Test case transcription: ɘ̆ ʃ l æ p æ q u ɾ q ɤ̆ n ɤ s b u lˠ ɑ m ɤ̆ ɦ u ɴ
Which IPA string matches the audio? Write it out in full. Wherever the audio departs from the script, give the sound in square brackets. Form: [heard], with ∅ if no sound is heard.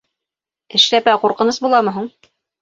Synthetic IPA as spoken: ɘ̆ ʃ l æ p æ q u ɾ q ɤ̆ n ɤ s b u lˠ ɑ m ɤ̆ ɦ u ɴ